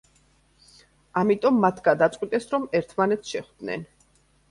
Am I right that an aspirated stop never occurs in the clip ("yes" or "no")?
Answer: no